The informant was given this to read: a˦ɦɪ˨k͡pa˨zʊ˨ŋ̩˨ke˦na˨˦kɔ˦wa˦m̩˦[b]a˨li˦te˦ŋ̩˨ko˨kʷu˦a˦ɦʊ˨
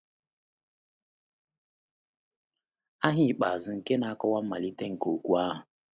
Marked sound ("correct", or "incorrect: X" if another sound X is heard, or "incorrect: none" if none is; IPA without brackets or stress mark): incorrect: m